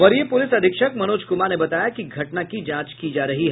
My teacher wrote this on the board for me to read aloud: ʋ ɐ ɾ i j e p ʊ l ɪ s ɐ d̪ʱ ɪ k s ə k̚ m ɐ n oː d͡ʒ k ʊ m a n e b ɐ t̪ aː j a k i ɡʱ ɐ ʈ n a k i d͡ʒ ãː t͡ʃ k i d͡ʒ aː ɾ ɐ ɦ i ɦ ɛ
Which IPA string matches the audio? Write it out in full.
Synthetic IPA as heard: ʋ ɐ ɾ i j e p ʊ l ɪ s ɐ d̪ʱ ɪ k ʃ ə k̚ m ɐ n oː d͡ʒ k ʊ m a n e b ɐ t̪ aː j a k i ɡʱ ɐ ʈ n a k i d͡ʒ ãː t͡ʃ k i d͡ʒ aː ɾ ɐ ɦ i ɦ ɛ